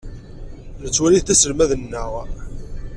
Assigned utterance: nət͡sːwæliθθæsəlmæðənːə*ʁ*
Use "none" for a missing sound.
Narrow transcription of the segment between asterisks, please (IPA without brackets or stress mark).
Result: ʁ